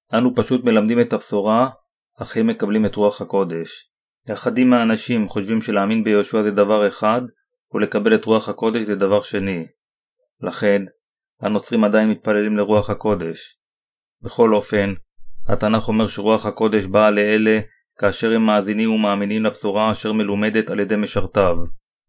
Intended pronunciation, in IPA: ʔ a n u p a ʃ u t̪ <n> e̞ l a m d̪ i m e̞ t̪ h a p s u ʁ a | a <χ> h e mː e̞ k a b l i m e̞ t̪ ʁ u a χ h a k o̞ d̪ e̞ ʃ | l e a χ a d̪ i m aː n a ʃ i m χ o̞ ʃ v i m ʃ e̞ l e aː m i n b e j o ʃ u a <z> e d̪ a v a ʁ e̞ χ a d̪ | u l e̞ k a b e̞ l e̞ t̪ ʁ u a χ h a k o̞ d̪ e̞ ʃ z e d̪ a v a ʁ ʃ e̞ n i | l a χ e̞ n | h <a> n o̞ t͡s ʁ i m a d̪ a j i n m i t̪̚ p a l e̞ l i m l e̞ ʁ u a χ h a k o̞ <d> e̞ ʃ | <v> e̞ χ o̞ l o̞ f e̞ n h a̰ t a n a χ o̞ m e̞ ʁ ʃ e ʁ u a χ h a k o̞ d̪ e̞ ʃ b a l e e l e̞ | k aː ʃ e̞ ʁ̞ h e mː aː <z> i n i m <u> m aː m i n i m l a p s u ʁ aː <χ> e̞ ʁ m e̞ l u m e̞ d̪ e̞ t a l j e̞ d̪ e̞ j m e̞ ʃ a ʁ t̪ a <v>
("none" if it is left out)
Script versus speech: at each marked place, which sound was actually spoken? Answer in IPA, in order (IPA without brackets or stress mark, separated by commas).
m, χ, z, a, d, b, z, u, ʃ, v